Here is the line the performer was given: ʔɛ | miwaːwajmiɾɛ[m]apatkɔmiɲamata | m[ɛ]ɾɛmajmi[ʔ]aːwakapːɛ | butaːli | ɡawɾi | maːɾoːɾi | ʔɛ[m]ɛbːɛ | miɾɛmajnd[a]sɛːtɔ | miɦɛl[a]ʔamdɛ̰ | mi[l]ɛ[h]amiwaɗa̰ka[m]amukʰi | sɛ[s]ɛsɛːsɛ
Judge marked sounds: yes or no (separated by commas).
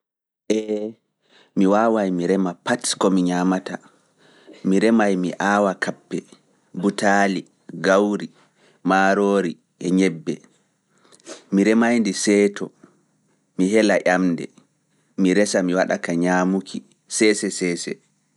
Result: yes, no, yes, no, no, yes, no, no, no, yes